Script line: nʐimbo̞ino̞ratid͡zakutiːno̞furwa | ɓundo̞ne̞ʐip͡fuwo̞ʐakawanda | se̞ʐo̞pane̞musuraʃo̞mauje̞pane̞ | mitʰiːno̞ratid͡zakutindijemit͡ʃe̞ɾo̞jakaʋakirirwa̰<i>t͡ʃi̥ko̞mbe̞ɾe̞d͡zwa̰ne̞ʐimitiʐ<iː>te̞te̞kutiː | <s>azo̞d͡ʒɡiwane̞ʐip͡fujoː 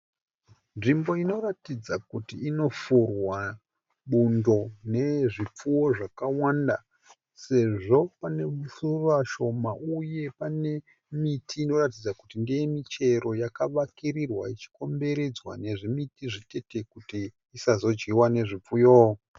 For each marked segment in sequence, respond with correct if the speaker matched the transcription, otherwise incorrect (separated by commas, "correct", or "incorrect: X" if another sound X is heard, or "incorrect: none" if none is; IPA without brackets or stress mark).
correct, incorrect: i, correct